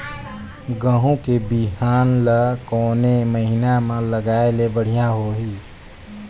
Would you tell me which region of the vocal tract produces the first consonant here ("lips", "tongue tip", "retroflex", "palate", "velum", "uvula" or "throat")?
velum